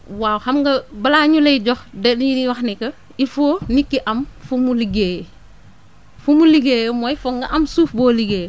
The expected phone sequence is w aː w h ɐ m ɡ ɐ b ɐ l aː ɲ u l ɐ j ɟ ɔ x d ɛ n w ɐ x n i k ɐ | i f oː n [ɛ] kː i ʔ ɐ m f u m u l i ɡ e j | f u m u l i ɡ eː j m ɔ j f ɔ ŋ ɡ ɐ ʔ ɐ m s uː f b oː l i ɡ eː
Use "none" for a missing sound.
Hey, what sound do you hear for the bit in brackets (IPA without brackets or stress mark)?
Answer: i